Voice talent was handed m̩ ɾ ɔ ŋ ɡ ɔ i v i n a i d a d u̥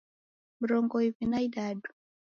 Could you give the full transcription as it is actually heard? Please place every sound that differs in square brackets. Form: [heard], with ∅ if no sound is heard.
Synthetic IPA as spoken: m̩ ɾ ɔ ŋ ɡ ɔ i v i n a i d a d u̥